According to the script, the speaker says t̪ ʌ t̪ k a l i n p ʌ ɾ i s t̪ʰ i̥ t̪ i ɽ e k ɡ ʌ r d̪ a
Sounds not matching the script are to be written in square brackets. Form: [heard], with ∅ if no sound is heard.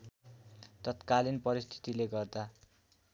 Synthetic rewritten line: t̪ ʌ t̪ k a l i n p ʌ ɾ i s t̪ʰ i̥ t̪ i [l] e [∅] ɡ ʌ r d̪ a